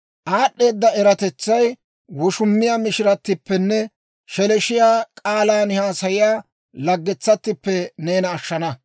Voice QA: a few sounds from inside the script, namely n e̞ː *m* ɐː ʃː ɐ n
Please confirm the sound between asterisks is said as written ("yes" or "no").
no